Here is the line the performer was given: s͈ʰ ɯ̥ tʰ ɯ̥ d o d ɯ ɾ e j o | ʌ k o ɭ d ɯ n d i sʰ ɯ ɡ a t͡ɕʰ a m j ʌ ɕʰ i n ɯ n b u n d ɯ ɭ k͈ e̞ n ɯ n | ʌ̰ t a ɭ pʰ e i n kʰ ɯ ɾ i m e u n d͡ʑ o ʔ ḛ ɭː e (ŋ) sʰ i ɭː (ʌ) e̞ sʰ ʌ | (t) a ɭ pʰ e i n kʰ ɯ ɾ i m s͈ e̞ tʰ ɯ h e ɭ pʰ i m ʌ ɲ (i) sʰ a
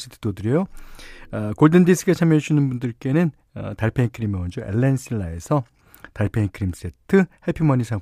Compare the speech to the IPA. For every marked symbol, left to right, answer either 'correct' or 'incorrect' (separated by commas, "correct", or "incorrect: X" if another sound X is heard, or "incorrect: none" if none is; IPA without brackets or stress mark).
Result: incorrect: n, incorrect: a, correct, correct